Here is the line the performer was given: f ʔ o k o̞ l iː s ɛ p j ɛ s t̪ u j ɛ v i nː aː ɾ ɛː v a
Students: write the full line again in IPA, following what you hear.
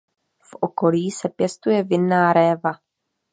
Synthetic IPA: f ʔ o k o̞ l iː s ɛ p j ɛ s t̪ u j ɛ v ɪ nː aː ɾ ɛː v a